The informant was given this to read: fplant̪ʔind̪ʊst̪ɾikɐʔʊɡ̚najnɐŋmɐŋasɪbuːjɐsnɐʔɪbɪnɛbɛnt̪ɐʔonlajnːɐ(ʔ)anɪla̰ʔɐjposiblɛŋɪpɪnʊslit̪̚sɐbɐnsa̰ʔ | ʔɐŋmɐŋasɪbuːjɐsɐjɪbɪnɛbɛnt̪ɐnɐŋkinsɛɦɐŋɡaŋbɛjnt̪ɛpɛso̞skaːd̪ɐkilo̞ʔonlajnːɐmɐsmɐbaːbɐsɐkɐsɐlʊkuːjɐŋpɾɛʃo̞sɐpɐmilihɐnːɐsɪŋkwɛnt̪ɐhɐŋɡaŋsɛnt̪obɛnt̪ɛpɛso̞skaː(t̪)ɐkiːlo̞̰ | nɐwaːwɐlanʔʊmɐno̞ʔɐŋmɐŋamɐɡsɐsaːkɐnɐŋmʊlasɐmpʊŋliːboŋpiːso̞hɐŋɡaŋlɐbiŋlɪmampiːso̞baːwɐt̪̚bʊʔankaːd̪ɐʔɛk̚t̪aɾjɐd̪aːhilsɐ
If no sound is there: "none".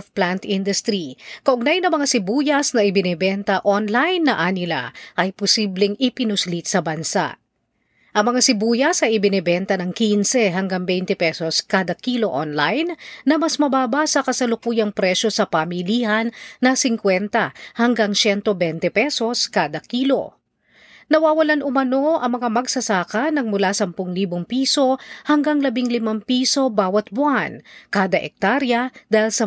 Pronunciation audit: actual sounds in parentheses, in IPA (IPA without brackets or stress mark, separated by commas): ʔ, d̪